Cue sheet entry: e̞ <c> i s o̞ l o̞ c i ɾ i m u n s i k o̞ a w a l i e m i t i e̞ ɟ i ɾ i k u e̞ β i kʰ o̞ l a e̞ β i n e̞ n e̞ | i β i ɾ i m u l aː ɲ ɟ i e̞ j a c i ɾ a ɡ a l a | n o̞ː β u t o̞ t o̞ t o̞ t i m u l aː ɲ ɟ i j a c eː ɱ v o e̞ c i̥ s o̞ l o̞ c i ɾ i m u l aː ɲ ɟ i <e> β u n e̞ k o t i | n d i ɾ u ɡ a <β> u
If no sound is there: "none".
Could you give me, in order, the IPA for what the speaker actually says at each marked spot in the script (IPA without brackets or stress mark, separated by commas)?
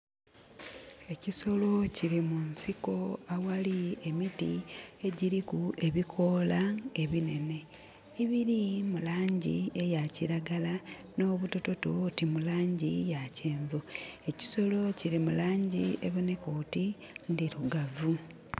c, e, v